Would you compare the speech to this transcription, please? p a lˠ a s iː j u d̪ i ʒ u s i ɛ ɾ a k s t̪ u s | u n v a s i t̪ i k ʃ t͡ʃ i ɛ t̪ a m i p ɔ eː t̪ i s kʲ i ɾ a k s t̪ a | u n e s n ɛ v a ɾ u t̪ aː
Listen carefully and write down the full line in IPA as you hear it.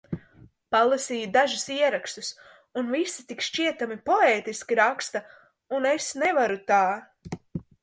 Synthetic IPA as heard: p a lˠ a s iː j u d̪ a ʒ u s i ɛ ɾ a k s t̪ u s | u n v i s i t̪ i k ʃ t͡ʃ i ɛ t̪ a m i p ɔ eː t̪ i s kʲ i ɾ a k s t̪ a | u n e s n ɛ v a ɾ u t̪ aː

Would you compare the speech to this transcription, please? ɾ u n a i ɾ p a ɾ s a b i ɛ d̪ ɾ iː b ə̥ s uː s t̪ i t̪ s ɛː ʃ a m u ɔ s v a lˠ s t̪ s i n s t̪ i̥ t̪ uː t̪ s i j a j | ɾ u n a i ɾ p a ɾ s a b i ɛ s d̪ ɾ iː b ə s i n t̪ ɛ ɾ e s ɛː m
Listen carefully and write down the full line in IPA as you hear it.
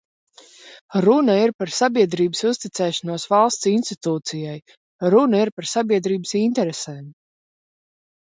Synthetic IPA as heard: ɾ u n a i ɾ p a ɾ s a b i ɛ d̪ ɾ iː b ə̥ s u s t̪ i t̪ s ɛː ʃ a n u ɔ s v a lˠ s t̪ s i n s t̪ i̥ t̪ uː t̪ s i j a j | ɾ u n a i ɾ p a ɾ s a b i ɛ d̪ ɾ iː b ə s i n t̪ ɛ ɾ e s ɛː m

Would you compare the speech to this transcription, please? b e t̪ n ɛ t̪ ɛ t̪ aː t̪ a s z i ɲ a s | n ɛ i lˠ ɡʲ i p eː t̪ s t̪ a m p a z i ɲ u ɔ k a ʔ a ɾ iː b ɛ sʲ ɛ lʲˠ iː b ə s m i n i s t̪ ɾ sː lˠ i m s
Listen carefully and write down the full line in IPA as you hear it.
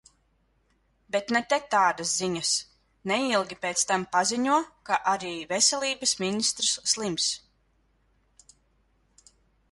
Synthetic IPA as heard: b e t̪ n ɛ t̪ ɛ t̪ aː d̪ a s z i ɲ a s | n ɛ i lˠ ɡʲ i p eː t̪ s t̪ a m p a z i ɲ u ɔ k a ʔ a ɾ iː v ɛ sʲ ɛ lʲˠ iː b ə s m i n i s t̪ ɾ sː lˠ i m s

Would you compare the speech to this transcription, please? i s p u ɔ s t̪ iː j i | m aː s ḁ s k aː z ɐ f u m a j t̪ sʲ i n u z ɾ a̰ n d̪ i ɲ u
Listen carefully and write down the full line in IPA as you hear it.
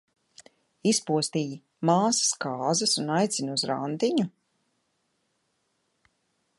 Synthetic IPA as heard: i s p u ɔ s t̪ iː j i | m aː s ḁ s k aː z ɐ s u n a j t̪ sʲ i n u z ɾ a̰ n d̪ i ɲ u

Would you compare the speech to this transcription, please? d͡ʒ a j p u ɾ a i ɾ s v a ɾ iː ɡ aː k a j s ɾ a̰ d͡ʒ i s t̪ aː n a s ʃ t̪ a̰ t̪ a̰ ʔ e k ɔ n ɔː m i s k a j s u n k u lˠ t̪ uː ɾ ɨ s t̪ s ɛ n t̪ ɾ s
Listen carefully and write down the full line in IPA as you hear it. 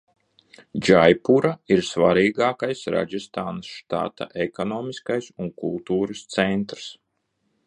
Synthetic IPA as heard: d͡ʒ a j p u ɾ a i ɾ s v a ɾ iː ɡ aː k a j s ɾ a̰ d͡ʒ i s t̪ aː n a s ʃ t̪ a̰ t̪ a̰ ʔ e k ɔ n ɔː m i s k a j s u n k u lˠ t̪ uː ɾ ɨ s t̪ s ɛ n t̪ ɾ s

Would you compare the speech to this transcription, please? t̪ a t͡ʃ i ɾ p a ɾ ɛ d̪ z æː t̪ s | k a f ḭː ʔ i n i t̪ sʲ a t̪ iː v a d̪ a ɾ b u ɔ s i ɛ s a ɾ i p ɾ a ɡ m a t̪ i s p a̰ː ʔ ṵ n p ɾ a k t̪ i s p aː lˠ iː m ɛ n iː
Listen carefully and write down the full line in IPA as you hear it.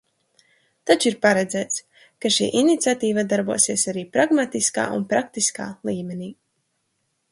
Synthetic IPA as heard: t̪ a t͡ʃ i ɾ p a ɾ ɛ d̪ z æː t̪ s | k a ʃ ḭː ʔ i n i t̪ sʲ a t̪ iː v a d̪ a ɾ b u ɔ s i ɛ s a ɾ iː p ɾ a ɡ m a t̪ i s k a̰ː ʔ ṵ n p ɾ a k t̪ i s k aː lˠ iː m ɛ n iː

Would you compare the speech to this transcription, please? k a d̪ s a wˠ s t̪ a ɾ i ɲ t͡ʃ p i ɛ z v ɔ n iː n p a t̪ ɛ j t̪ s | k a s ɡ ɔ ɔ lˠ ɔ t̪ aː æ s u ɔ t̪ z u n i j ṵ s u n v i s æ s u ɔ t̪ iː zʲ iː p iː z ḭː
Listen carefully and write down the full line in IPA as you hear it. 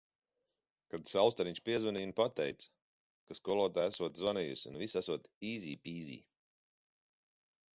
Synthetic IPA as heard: k a d̪ s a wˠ s t̪ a ɾ i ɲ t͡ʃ p i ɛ z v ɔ n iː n p a t̪ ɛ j t̪ s | k a s k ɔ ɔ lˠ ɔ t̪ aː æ s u ɔ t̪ z ɔ n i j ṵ s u n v i s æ s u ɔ t̪ iː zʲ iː p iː z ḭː

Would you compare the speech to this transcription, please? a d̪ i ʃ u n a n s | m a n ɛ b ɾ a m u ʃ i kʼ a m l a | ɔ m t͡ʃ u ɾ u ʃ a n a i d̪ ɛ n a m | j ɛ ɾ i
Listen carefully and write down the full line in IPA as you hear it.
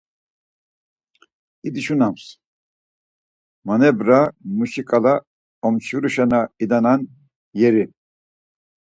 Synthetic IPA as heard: i d̪ i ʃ u n a m s | m a n ɛ b ɾ a m u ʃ i kʼ a l a | ɔ m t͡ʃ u ɾ u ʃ a n a i d̪ a n a n | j ɛ ɾ i

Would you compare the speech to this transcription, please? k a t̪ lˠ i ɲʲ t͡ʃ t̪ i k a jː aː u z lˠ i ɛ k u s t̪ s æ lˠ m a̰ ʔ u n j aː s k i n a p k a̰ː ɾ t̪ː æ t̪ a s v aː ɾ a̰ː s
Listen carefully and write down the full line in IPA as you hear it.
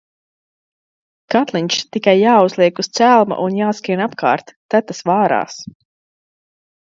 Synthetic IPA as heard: k a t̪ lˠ i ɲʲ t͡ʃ t̪ i k a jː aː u z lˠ i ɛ k u s t̪ s æ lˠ m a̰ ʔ u n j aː s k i n a p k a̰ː ɾ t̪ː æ t̪ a s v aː ɾ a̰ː s

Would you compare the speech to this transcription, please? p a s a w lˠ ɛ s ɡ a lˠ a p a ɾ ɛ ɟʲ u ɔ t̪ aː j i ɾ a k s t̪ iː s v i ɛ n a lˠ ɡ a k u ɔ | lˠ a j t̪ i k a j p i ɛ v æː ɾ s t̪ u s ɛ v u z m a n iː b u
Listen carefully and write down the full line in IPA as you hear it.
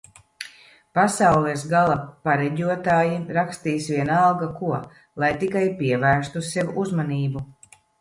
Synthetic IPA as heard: p a s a w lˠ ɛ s ɡ a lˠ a p a ɾ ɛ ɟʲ u ɔ t̪ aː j i ɾ a k s t̪ iː s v i ɛ n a lˠ ɡ a k u ɔ | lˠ a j t̪ i k a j p i ɛ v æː ɾ s t̪ u s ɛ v u z m a n iː b u

